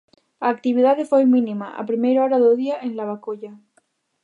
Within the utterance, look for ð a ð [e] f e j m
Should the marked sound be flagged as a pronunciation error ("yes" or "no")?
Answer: no